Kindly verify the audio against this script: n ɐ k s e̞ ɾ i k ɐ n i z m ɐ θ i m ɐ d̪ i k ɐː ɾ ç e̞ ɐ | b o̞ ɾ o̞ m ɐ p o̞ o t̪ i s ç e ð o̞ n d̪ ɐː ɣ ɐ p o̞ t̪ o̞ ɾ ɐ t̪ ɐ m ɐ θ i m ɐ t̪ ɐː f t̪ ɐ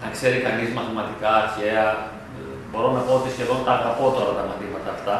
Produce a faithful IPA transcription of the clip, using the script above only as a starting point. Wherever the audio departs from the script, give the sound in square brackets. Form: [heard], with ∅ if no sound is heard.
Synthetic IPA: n ɐ k s e̞ ɾ i k ɐ n i z m ɐ θ i m ɐ [t̪] i k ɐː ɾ ç e̞ ɐ | b o̞ ɾ o̞ [n] ɐ p o̞ o t̪ i s ç e ð o̞ n [t̪] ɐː ɣ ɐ p o̞ t̪ o̞ ɾ ɐ t̪ ɐ m ɐ θ i m ɐ t̪ ɐː f t̪ ɐ